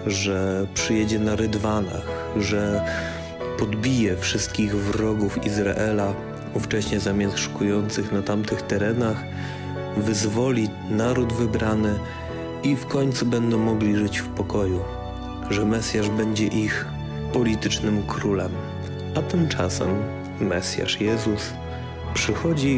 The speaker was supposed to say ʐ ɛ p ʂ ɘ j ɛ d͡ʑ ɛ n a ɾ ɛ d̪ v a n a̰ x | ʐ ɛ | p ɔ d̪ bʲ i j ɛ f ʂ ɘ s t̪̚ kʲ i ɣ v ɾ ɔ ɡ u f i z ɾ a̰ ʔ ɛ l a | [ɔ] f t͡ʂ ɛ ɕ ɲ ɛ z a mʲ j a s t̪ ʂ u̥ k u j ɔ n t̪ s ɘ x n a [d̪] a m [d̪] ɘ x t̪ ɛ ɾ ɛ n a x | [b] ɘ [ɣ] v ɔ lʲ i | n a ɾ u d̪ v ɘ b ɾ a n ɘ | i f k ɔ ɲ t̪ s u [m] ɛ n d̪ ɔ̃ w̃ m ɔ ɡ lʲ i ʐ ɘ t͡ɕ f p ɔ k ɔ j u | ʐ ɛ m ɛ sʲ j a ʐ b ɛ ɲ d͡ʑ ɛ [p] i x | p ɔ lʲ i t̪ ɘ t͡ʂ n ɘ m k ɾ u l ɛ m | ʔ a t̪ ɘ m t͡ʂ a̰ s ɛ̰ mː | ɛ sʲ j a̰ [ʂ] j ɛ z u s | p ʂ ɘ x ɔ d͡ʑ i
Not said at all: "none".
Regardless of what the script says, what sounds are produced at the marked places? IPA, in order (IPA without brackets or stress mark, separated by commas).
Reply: u, t̪, t̪, v, z, b, ʔ, ʂ